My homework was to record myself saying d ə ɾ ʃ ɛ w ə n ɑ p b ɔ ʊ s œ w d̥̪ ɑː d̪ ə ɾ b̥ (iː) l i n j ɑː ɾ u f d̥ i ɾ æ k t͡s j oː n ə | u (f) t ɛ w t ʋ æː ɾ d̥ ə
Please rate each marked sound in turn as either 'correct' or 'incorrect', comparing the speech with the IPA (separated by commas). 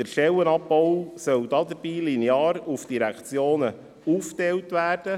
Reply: correct, correct